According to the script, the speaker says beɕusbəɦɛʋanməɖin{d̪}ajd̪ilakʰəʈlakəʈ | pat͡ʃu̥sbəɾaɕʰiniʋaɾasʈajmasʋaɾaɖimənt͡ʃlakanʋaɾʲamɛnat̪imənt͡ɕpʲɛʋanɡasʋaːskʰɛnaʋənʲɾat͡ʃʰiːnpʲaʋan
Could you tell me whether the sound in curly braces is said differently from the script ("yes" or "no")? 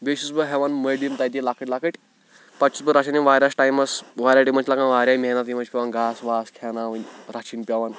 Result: yes